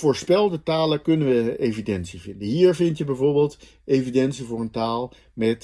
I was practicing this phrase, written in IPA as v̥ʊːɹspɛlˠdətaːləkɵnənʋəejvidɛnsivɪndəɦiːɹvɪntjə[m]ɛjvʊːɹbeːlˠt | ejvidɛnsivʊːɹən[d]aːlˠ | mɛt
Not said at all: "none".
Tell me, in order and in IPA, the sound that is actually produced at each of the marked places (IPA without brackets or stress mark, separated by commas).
b, t